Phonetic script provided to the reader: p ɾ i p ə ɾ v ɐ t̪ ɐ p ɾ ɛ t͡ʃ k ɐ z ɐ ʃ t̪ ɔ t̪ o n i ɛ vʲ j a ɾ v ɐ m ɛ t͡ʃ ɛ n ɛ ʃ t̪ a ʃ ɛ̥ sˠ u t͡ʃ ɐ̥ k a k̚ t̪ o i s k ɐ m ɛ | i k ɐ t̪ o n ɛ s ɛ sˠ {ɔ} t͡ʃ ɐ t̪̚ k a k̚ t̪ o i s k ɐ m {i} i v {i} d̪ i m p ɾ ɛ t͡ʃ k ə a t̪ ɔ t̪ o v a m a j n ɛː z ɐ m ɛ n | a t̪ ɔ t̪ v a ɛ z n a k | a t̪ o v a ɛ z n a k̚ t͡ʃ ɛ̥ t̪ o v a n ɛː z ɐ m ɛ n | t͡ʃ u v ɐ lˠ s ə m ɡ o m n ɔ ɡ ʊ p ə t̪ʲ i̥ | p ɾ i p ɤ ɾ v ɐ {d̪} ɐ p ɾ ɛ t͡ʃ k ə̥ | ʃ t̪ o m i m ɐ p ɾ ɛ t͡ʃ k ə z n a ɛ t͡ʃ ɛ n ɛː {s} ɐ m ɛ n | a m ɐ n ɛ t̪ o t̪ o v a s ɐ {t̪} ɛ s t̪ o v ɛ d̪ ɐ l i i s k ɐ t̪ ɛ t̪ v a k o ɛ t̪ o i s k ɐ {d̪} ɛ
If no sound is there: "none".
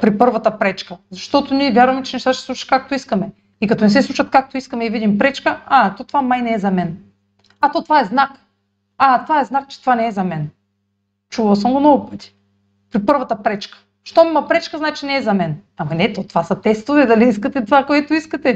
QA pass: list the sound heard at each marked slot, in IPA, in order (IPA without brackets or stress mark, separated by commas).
u, ɛ, i, t̪, z, t̪, t̪